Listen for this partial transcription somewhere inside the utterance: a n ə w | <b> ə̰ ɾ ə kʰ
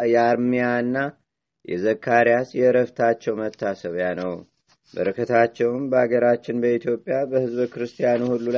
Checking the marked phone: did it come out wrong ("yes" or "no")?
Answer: no